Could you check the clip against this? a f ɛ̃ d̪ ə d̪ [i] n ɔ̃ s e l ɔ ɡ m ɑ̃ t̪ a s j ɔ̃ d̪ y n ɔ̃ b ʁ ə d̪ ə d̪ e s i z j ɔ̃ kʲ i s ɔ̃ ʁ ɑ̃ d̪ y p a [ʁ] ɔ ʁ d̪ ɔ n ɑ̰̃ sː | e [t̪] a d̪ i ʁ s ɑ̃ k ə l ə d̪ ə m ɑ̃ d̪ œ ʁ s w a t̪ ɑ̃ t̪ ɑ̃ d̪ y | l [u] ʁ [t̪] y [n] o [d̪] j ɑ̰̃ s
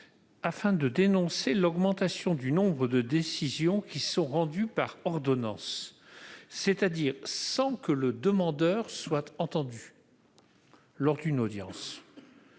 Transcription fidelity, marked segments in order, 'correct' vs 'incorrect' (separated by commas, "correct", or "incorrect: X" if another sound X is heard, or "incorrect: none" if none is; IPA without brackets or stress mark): incorrect: e, correct, correct, incorrect: ɔ, incorrect: d̪, correct, correct